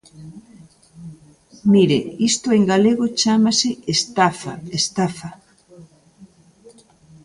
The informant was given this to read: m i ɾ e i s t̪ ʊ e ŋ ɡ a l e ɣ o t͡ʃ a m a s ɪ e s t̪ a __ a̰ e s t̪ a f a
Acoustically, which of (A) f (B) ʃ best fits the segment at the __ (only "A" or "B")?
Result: A